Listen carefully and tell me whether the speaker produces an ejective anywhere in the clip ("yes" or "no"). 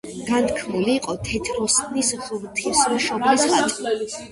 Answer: yes